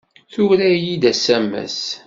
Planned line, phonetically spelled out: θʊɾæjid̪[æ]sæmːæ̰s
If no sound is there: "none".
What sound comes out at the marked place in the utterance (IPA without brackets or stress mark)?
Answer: æ